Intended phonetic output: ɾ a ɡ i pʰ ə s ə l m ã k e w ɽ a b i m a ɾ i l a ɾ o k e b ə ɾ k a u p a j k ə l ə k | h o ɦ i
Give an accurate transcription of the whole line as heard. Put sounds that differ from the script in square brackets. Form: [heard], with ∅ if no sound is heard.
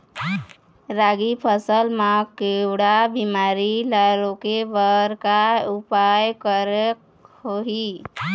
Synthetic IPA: ɾ a ɡ i pʰ ə s ə l m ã k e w ɽ a b i m a ɾ i l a ɾ o k e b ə ɾ k a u p a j k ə [ɾ] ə k | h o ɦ i